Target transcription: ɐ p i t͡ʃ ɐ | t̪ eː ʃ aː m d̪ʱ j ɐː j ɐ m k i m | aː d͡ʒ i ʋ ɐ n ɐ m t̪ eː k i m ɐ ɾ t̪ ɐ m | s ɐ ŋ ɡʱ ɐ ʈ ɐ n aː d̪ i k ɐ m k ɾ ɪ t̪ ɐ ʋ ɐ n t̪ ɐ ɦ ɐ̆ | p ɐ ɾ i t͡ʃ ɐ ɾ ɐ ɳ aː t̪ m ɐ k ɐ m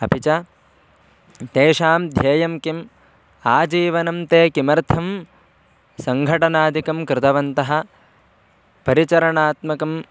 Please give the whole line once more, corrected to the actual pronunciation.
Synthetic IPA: ɐ p i t͡ʃ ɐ | t̪ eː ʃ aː m d̪ʱ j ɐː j ɐ m k i m | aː d͡ʒ iː ʋ ɐ n ɐ m t̪ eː k i m ɐ ɾ t̪ʰ ɐ m | s ɐ ŋ ɡʱ ɐ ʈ ɐ n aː d̪ i k ɐ m k ɾ ɪ t̪ ɐ ʋ ɐ n t̪ ɐ ɦ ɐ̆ | p ɐ ɾ i t͡ʃ ɐ ɾ ɐ ɳ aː t̪ m ɐ k ɐ m

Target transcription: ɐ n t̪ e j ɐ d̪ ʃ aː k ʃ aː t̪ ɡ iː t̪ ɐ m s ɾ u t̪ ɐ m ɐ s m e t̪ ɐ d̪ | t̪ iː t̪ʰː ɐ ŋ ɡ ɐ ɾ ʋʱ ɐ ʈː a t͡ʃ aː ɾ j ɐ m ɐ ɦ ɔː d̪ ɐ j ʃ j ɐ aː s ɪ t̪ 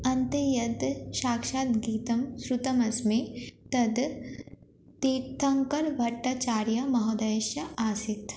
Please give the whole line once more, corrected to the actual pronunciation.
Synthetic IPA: ɐ n t̪ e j ɐ d̪ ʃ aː k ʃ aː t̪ ɡ iː t̪ ɐ m s ɾ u t̪ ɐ m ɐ s m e t̪ ɐ d̪ | t̪ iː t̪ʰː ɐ ŋ k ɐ ɾ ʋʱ ɐ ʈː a t͡ʃ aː ɾ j ɐ m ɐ ɦ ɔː d̪ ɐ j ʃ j ɐ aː s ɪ t̪

